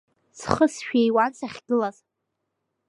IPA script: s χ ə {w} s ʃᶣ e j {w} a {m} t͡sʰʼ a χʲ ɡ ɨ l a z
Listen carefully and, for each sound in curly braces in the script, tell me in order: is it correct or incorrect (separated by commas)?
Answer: incorrect, correct, incorrect